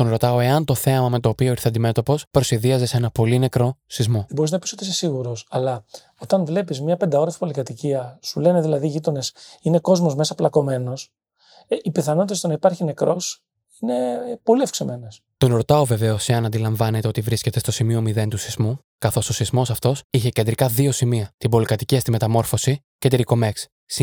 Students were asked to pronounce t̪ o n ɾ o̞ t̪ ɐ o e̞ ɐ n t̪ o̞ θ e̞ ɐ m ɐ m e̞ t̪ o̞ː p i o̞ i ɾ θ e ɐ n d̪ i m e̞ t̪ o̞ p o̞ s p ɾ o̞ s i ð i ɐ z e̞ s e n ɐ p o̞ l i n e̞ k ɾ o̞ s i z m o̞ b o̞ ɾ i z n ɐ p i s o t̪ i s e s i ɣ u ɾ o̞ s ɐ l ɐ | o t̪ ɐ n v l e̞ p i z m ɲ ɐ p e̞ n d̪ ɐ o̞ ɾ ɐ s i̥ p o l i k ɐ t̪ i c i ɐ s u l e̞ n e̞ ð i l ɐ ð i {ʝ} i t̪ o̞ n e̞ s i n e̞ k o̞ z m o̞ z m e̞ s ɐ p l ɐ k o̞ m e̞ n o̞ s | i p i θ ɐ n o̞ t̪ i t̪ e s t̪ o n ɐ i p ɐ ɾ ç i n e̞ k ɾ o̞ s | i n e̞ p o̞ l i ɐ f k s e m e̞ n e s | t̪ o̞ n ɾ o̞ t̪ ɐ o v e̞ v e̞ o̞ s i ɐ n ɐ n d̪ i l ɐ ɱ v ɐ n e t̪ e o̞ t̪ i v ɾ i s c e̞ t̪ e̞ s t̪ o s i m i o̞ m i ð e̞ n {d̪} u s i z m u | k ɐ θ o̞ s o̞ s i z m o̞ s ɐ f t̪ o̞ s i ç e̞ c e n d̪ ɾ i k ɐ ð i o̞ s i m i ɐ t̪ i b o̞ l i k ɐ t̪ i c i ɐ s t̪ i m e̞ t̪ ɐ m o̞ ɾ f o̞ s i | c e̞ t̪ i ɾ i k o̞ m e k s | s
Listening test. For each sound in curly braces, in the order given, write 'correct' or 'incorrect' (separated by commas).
correct, incorrect